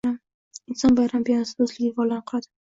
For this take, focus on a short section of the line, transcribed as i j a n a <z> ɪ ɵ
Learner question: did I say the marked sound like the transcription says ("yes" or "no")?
no